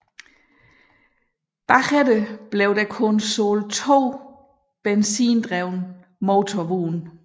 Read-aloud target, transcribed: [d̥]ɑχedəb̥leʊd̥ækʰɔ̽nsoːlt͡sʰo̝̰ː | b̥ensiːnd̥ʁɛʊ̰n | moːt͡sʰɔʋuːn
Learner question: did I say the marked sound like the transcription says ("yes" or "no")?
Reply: no